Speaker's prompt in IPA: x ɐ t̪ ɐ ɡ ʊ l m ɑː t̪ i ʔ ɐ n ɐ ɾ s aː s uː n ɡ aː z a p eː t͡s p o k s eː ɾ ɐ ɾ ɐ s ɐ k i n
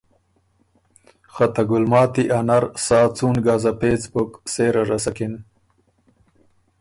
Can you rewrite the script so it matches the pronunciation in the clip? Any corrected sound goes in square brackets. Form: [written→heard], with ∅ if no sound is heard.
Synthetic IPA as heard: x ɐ t̪ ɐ ɡ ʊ l m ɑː t̪ i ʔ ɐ n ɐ ɾ s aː [s→t͡s] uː n ɡ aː z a p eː t͡s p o k s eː ɾ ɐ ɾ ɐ s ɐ k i n